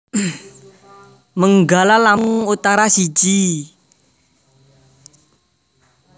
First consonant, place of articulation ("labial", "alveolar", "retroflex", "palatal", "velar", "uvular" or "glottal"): labial